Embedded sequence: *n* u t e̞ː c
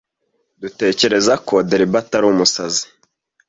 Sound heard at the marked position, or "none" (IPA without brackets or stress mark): d